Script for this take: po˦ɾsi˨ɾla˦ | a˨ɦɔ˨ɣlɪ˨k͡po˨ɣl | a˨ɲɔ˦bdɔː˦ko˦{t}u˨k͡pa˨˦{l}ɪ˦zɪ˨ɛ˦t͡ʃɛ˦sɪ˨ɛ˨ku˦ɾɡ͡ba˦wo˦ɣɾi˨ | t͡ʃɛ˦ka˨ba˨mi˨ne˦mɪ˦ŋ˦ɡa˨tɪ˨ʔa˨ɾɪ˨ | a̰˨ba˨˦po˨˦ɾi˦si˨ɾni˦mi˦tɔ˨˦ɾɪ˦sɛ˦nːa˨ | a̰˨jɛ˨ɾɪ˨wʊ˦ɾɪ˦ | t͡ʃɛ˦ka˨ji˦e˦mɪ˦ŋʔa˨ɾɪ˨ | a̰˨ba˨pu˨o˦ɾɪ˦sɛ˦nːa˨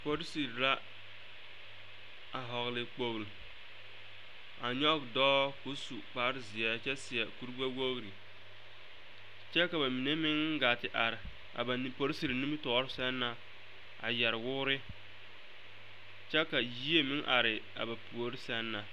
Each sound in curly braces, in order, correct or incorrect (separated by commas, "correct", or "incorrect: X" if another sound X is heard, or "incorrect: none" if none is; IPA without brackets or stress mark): incorrect: s, incorrect: ɾ